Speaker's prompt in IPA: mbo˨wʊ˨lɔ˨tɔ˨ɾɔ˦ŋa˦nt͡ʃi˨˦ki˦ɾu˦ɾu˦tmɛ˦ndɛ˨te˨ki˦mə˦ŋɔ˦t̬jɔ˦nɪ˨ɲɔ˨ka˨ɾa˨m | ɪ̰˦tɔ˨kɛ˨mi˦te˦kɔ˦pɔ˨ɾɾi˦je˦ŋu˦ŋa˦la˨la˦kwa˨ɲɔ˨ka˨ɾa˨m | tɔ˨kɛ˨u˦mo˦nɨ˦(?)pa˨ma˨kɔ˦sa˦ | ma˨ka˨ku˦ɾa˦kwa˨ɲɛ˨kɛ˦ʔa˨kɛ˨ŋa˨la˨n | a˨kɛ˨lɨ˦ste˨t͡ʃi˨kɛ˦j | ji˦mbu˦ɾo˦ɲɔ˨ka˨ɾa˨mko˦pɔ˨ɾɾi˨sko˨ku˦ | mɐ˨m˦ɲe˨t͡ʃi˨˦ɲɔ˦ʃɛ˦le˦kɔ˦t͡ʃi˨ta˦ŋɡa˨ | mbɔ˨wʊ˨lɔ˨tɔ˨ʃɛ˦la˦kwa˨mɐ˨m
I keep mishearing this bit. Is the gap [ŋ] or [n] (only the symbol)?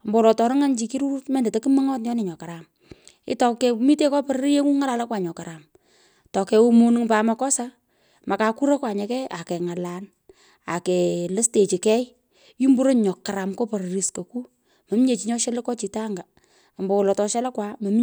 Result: ŋ